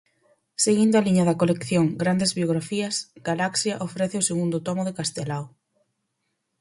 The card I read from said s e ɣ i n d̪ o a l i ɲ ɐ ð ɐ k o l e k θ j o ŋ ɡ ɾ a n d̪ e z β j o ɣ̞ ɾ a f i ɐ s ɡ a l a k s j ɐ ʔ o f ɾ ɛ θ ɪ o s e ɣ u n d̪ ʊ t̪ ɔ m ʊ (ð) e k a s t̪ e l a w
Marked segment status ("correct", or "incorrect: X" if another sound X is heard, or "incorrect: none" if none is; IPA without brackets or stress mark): correct